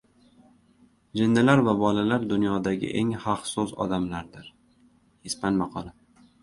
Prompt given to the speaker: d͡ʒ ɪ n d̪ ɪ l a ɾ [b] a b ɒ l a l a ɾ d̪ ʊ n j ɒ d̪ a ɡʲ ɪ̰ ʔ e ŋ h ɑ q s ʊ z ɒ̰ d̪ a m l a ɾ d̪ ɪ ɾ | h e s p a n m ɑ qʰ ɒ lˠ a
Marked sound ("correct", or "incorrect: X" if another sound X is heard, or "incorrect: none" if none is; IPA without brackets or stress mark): incorrect: v